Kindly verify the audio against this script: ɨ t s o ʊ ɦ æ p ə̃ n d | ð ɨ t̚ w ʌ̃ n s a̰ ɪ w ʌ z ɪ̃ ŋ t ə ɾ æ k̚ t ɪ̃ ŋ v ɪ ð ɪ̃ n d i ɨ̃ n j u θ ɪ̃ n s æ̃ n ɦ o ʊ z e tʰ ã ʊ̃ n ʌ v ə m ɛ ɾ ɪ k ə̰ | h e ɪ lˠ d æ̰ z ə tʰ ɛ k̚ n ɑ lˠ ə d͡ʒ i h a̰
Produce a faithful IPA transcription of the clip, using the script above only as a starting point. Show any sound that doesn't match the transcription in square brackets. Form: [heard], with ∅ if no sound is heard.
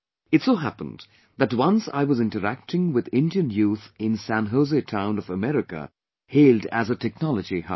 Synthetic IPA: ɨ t s o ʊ ɦ æ p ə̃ n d | ð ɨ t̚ w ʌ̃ n s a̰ ɪ w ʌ z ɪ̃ [n] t ə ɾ æ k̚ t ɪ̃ ŋ [w] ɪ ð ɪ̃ n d i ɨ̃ n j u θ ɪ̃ n s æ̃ n ɦ o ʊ z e tʰ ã ʊ̃ n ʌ v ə m ɛ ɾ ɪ k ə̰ | h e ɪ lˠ d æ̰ z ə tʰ ɛ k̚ n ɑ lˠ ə d͡ʒ i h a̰